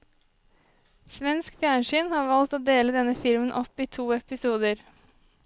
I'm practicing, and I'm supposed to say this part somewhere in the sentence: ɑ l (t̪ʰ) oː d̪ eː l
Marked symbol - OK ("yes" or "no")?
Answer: no